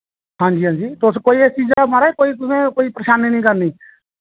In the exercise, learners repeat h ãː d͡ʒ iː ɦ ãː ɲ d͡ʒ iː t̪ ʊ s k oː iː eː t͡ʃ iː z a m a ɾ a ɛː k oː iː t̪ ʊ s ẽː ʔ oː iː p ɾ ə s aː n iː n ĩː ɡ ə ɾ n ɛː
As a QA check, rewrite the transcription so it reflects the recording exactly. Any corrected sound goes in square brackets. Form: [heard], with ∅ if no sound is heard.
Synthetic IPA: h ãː d͡ʒ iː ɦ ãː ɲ d͡ʒ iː t̪ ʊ s k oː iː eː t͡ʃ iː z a m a ɾ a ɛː k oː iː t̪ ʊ s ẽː [k] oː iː p ɾ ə [ʃ] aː n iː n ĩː [k] ə ɾ n [iː]